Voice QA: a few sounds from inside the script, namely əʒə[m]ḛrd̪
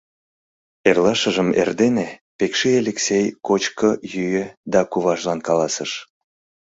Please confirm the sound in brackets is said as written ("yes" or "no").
yes